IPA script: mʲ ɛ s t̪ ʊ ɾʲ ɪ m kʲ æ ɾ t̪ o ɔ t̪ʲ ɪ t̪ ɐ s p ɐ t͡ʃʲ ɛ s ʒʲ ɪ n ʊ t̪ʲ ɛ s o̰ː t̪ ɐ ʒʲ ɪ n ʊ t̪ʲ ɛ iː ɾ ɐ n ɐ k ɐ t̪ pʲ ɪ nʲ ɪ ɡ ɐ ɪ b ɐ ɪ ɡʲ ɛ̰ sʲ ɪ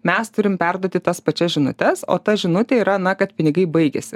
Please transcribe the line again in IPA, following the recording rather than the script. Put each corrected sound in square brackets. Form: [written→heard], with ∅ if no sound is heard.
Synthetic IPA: mʲ ɛ s t̪ ʊ ɾʲ ɪ m [kʲ→pʲ] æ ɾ [t̪→d̪] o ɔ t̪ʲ ɪ t̪ ɐ s p ɐ t͡ʃʲ ɛ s ʒʲ ɪ n ʊ t̪ʲ ɛ s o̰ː t̪ ɐ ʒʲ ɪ n ʊ t̪ʲ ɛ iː ɾ ɐ n ɐ k ɐ t̪ pʲ ɪ nʲ ɪ ɡ ɐ ɪ b ɐ ɪ ɡʲ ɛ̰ sʲ ɪ

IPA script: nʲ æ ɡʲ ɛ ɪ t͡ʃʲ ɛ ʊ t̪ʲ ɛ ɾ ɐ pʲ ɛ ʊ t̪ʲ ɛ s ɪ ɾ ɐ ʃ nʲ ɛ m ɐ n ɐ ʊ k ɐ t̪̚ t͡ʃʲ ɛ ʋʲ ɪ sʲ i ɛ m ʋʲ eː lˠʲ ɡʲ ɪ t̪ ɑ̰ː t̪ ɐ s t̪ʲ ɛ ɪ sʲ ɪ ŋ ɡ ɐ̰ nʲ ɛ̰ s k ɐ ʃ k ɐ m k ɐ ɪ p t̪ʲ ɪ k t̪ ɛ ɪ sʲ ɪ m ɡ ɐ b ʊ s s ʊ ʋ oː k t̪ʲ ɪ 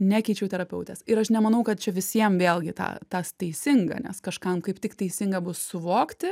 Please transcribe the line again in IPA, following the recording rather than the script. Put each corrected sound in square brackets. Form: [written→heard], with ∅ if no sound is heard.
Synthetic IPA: nʲ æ [ɡʲ→kʲ] ɛ ɪ t͡ʃʲ ɛ ʊ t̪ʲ ɛ ɾ ɐ pʲ ɛ ʊ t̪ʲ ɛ s ɪ ɾ ɐ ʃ nʲ ɛ m ɐ n ɐ ʊ k ɐ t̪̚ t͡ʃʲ ɛ ʋʲ ɪ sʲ i ɛ m ʋʲ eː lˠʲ ɡʲ ɪ t̪ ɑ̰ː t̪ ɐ s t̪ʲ ɛ ɪ sʲ ɪ ŋ ɡ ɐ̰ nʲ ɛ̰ s k ɐ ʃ k ɐ m k ɐ ɪ p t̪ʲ ɪ k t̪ ɛ ɪ sʲ ɪ [m→ŋ] ɡ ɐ b ʊ s s ʊ ʋ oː k t̪ʲ ɪ

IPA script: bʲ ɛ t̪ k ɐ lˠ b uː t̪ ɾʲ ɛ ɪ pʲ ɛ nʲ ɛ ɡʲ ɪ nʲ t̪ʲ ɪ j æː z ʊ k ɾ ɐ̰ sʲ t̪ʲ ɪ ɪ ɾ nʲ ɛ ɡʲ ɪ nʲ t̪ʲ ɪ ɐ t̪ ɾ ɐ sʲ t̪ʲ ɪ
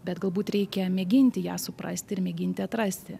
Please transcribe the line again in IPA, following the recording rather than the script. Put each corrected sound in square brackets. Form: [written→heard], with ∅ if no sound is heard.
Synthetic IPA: bʲ ɛ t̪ [k→ɡ] ɐ lˠ b uː t̪ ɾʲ ɛ ɪ [pʲ→kʲ] ɛ [nʲ→mʲ] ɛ ɡʲ ɪ nʲ t̪ʲ ɪ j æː [z→s] ʊ [k→p] ɾ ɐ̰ sʲ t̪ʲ ɪ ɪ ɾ [nʲ→mʲ] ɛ ɡʲ ɪ nʲ t̪ʲ ɪ ɐ t̪ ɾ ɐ sʲ t̪ʲ ɪ

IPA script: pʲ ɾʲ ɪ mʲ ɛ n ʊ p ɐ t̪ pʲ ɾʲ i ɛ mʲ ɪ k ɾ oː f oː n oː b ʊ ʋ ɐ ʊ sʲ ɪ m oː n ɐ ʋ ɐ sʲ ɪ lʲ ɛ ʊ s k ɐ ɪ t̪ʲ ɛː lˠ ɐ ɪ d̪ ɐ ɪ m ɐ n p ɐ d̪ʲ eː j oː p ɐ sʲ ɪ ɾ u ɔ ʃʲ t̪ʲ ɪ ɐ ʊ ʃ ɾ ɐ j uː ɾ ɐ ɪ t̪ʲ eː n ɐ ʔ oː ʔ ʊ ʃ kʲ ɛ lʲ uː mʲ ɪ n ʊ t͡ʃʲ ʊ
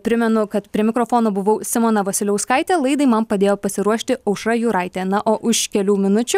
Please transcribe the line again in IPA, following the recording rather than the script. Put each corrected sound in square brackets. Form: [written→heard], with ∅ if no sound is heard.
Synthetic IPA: pʲ ɾʲ ɪ mʲ ɛ n ʊ [p→k] ɐ t̪ pʲ ɾʲ i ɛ mʲ ɪ k ɾ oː f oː n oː b ʊ ʋ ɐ ʊ sʲ ɪ m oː n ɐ ʋ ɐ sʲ ɪ lʲ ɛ ʊ s k ɐ ɪ t̪ʲ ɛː lˠ ɐ ɪ d̪ ɐ ɪ m ɐ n p ɐ d̪ʲ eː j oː p ɐ sʲ ɪ ɾ u ɔ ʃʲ t̪ʲ ɪ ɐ ʊ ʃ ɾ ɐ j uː ɾ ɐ ɪ t̪ʲ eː n ɐ ʔ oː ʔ ʊ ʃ kʲ ɛ lʲ uː mʲ ɪ n ʊ t͡ʃʲ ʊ

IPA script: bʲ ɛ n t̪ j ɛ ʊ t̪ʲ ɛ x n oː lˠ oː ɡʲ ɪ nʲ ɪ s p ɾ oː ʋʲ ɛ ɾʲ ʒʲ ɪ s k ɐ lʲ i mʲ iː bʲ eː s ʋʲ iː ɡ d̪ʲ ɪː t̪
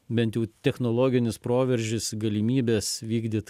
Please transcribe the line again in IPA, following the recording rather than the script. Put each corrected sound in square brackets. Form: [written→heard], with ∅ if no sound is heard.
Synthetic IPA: bʲ ɛ n t̪ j ɛ ʊ t̪ʲ ɛ x n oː lˠ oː ɡʲ ɪ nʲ ɪ s p ɾ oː ʋʲ ɛ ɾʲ ʒʲ ɪ s [k→ɡ] ɐ lʲ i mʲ iː bʲ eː s ʋʲ iː ɡ d̪ʲ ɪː t̪

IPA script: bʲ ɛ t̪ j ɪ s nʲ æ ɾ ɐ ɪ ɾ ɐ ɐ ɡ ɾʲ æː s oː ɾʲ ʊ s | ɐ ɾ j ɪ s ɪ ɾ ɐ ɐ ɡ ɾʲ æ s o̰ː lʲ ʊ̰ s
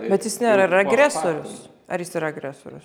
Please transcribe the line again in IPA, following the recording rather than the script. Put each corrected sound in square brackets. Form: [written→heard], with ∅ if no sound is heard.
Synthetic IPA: bʲ ɛ t̪ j ɪ s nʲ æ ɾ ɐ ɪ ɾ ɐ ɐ ɡ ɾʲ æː s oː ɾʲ ʊ s | ɐ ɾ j ɪ s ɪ ɾ ɐ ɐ ɡ ɾʲ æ s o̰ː [lʲ→ɾʲ] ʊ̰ s

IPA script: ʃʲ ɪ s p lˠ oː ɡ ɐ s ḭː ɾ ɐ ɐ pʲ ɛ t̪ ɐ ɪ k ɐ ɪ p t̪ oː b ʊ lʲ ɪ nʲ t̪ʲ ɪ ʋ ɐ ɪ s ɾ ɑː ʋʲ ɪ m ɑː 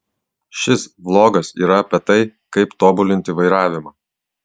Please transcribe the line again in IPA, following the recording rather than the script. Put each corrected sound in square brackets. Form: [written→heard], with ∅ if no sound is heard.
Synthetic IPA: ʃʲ ɪ s [p→b] lˠ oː ɡ ɐ s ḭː ɾ ɐ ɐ pʲ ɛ t̪ ɐ ɪ k ɐ ɪ p t̪ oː b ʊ lʲ ɪ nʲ t̪ʲ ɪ ʋ ɐ ɪ [s→∅] ɾ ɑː ʋʲ ɪ m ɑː

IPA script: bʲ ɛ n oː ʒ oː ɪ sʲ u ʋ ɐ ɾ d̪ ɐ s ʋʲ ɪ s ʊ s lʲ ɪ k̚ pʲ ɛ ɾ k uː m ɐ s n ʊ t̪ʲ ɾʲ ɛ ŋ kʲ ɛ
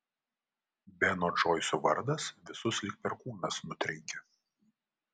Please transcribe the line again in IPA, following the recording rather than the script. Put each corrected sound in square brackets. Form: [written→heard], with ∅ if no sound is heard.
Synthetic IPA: bʲ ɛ n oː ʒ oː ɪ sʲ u ʋ ɐ ɾ d̪ ɐ s ʋʲ ɪ s ʊ s lʲ ɪ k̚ pʲ ɛ ɾ k uː [m→n] ɐ s n ʊ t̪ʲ ɾʲ ɛ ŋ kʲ ɛ

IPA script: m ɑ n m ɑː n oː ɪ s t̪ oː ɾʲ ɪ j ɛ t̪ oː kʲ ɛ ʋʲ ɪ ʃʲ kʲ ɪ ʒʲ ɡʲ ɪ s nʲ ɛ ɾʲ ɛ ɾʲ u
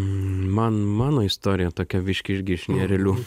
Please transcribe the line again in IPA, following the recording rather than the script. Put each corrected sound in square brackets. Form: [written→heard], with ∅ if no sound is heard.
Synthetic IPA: m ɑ n m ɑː n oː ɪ s t̪ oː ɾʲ ɪ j ɛ t̪ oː kʲ ɛ ʋʲ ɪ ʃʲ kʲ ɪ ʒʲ ɡʲ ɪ [s→ʃ] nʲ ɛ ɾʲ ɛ [ɾʲ→lʲ] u

